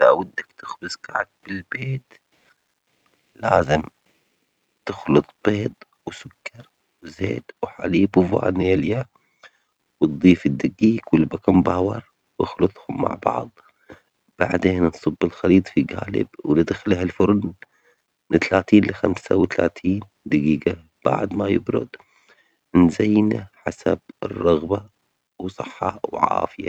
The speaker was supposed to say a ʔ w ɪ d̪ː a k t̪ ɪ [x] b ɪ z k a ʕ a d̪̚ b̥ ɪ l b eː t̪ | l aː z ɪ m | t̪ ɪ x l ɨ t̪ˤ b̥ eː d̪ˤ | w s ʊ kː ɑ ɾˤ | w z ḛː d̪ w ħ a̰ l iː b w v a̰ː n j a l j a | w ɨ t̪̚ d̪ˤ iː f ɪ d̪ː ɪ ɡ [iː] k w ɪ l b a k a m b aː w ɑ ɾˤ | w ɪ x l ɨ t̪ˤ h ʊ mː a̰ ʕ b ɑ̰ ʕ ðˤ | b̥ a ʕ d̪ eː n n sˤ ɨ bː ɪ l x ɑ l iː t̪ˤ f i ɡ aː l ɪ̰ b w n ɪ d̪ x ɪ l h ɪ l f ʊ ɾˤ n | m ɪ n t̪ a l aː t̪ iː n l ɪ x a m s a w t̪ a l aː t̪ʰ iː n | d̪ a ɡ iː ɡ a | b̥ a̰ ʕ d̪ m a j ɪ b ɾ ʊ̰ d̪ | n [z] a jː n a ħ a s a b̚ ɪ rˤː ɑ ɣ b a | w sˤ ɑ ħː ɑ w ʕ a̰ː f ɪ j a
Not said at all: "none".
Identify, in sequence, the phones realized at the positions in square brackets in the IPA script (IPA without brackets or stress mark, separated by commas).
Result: x, iː, z